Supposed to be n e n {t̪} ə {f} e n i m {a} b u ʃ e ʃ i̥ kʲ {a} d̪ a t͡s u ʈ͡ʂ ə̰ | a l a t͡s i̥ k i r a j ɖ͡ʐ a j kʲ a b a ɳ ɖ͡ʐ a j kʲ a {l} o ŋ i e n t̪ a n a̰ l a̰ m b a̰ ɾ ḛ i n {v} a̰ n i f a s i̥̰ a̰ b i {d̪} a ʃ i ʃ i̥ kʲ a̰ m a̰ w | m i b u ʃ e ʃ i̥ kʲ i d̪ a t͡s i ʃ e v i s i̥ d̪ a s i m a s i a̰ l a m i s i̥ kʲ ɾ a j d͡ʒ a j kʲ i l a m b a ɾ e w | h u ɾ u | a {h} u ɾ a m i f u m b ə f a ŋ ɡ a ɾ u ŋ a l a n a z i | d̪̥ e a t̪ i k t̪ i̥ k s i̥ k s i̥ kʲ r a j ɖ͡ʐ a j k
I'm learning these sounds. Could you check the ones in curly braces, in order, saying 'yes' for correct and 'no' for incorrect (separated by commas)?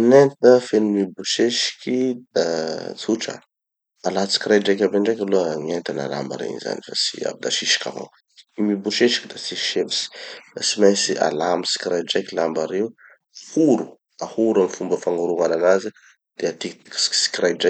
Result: yes, yes, no, no, yes, no, yes, yes